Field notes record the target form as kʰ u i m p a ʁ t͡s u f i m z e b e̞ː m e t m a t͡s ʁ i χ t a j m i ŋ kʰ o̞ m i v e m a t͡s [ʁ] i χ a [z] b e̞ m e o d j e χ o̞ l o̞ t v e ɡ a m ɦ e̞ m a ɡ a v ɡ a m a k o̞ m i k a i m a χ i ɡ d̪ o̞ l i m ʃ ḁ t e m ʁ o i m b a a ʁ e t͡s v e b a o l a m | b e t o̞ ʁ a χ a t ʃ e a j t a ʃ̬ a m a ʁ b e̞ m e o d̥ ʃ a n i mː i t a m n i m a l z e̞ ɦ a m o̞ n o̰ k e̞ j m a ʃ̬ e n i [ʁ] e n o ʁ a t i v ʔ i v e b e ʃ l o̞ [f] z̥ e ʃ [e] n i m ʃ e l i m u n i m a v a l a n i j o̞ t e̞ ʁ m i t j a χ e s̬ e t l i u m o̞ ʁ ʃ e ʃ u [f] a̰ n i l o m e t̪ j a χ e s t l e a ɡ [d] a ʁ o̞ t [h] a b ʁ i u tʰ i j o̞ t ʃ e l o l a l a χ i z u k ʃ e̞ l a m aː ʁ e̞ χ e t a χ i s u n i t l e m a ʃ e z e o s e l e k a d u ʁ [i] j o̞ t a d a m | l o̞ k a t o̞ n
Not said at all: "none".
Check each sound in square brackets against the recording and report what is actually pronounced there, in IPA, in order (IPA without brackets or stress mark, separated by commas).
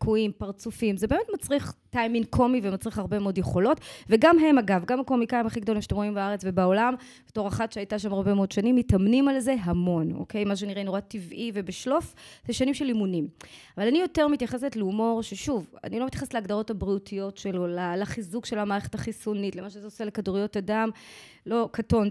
ʁ, ʁ, ʁ, f, a, v, d, h, i